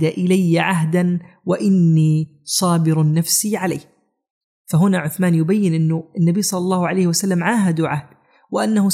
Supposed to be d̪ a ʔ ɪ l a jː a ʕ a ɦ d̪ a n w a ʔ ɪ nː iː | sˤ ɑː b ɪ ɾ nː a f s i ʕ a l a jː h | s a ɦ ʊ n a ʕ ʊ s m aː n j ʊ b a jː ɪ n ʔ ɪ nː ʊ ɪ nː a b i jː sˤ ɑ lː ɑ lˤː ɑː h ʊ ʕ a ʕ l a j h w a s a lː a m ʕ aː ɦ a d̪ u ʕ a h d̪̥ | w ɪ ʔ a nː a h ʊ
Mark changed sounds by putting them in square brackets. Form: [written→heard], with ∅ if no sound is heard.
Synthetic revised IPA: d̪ a ʔ ɪ l a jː a ʕ a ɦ d̪ a n w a ʔ ɪ nː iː | sˤ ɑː b ɪ ɾ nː a f s i ʕ a l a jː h | [s→f] a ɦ ʊ n a ʕ ʊ [s→θ] m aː n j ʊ b a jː ɪ n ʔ ɪ nː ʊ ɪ nː a b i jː sˤ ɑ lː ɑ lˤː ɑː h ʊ ʕ a [ʕ→∅] l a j h w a s a lː a m ʕ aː ɦ a d̪ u ʕ a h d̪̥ | w ɪ ʔ a nː a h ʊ